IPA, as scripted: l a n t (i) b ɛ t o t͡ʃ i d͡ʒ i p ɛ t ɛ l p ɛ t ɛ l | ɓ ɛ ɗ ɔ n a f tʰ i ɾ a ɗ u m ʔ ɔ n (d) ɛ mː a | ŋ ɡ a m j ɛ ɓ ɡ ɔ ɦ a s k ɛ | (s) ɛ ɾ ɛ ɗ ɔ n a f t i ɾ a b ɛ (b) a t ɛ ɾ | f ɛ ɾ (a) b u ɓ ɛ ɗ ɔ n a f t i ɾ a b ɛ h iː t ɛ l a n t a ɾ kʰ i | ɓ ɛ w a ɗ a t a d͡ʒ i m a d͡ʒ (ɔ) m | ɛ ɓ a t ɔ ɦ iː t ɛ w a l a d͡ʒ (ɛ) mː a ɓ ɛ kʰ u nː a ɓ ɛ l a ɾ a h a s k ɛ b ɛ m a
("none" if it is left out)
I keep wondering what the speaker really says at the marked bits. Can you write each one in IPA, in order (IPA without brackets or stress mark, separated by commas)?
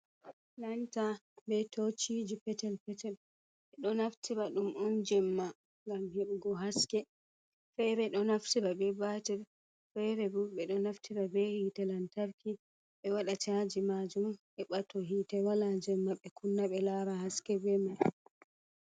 a, d͡ʒ, f, b, ɛ, u, ɛ